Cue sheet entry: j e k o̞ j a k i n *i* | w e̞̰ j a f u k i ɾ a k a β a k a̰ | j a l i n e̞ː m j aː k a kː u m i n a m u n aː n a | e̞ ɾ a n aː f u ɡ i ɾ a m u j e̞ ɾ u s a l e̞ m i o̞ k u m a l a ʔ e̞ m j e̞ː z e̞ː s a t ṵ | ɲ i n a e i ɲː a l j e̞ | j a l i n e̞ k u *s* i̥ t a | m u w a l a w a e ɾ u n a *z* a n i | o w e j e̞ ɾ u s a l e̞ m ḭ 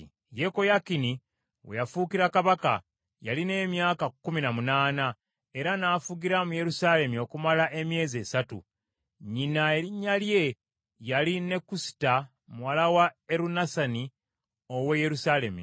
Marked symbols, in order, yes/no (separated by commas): yes, yes, no